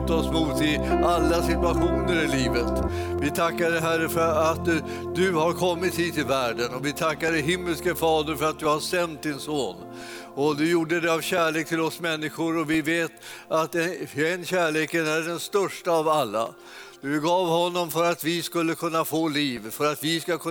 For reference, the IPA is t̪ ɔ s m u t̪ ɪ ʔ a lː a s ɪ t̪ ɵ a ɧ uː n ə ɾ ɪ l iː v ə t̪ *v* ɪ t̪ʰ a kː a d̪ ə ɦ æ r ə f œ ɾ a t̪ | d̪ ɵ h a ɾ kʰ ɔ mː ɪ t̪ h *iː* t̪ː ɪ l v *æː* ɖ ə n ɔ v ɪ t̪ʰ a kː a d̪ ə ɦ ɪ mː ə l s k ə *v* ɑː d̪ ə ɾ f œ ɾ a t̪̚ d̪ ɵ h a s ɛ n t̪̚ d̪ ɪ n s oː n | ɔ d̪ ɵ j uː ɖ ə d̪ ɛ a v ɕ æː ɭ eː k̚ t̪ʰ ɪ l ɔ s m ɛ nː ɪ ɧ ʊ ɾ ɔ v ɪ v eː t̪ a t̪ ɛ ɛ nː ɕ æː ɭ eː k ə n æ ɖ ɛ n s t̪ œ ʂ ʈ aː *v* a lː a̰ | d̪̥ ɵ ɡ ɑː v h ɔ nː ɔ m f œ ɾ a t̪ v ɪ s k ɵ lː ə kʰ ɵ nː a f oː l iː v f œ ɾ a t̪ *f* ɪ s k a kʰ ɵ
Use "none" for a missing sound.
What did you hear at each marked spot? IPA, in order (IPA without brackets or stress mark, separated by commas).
v, iː, æː, f, v, v